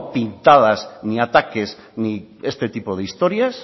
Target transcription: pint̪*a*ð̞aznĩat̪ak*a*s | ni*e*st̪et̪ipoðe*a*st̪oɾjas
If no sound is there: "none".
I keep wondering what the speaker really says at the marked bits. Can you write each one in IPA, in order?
a, e, e, i

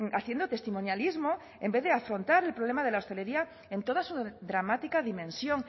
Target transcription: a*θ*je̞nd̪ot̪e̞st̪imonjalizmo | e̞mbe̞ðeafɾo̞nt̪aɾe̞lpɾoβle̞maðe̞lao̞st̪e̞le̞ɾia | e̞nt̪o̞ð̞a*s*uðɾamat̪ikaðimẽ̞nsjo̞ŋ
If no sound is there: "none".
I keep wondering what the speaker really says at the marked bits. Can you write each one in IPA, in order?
θ, s

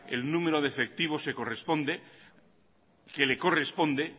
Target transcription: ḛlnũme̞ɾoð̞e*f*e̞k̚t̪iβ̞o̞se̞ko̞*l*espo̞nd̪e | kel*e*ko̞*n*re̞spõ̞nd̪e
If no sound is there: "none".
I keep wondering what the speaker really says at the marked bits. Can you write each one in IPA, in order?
f, r, e, none

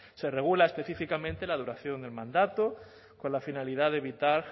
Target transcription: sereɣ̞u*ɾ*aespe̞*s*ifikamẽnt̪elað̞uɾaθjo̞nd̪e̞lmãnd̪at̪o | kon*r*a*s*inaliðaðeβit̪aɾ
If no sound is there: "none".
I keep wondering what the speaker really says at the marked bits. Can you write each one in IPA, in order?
l, θ, l, f

